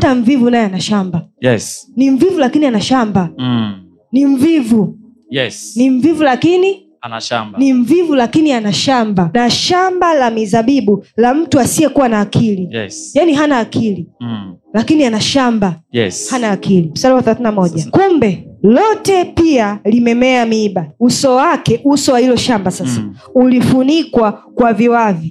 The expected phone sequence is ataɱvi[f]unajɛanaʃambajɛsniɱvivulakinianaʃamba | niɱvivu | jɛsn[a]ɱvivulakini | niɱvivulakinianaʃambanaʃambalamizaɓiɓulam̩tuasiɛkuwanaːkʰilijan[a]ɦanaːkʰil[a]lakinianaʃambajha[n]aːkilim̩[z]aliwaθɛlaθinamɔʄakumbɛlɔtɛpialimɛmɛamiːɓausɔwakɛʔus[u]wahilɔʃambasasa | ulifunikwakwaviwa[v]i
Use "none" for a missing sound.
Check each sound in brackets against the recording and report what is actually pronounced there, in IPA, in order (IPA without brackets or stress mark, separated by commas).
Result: v, i, i, i, n, s, ɔ, v